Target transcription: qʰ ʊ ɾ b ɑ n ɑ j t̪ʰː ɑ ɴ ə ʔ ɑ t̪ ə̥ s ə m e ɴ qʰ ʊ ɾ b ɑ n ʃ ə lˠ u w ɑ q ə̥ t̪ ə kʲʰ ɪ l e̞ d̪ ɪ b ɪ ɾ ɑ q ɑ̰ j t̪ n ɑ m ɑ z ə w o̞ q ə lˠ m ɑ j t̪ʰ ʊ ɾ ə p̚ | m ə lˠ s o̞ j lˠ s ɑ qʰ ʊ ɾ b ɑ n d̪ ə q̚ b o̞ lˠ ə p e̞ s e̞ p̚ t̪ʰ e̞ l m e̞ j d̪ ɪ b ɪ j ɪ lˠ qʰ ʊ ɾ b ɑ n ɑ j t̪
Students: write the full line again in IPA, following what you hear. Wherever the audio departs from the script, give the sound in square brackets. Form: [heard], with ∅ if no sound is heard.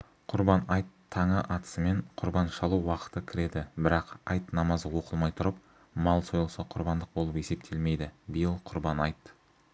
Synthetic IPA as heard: qʰ ʊ ɾ b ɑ n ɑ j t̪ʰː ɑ ɴ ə ʔ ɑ t̪ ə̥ s ə m e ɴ qʰ ʊ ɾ b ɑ n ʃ [ɑ] lˠ u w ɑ q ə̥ t̪ ə kʲʰ ɪ [ɾ] e̞ d̪ ɪ b ɪ ɾ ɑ q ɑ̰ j t̪ n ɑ m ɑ z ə w o̞ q ə lˠ m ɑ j t̪ʰ ʊ ɾ ə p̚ | m [ɑ] lˠ s o̞ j lˠ s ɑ qʰ ʊ ɾ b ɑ n d̪ ə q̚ b o̞ lˠ ə p e̞ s e̞ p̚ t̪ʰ e̞ l m e̞ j d̪ ɪ b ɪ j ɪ lˠ qʰ ʊ ɾ b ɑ n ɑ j t̪